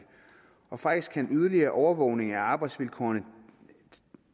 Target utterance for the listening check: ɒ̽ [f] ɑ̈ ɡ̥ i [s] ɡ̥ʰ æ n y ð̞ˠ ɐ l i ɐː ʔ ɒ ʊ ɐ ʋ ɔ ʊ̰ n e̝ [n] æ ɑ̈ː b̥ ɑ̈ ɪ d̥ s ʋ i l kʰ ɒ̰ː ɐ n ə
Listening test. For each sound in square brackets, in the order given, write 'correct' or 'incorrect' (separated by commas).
correct, correct, incorrect